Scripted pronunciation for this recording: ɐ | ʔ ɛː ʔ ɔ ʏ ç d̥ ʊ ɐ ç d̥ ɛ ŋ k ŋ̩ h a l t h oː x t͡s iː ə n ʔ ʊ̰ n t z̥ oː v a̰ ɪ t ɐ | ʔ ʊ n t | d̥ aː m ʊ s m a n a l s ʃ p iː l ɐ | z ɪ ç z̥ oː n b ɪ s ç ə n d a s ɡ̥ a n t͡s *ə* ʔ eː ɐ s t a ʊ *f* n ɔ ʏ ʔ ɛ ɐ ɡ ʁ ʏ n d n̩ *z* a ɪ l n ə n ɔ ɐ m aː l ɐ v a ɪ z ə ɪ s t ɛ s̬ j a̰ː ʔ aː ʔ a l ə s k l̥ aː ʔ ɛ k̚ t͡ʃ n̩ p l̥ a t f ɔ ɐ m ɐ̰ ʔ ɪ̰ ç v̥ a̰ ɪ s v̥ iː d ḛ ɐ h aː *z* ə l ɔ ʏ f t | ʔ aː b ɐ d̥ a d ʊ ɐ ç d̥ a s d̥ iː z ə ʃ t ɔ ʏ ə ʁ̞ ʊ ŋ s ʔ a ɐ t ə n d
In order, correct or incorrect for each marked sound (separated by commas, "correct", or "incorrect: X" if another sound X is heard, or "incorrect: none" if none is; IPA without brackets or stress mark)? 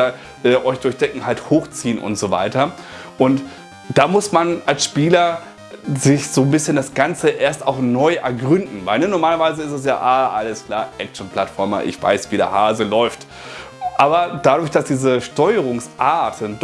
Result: correct, incorrect: x, incorrect: v, correct